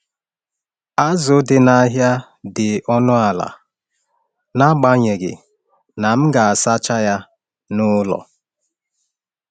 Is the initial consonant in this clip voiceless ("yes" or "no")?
no